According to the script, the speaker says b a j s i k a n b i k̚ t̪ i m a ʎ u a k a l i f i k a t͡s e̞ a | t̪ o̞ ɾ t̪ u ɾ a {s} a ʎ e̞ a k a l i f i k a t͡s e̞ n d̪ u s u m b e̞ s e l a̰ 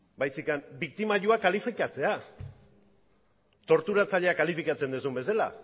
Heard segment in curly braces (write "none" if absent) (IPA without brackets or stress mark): t͡s